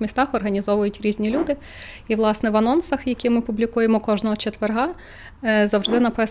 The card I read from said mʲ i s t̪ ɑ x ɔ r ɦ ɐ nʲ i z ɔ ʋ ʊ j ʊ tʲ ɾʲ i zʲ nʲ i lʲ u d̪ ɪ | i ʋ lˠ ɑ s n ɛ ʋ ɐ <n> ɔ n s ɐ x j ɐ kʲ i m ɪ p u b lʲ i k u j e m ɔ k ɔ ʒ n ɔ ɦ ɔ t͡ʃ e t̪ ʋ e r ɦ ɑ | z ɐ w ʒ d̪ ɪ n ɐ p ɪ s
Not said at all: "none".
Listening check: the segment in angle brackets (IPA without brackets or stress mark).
n